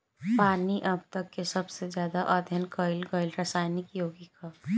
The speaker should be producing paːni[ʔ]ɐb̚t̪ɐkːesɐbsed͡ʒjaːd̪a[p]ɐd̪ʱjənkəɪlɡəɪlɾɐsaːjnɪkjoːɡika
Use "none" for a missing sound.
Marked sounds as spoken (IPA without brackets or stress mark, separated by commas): ʔ, ʔ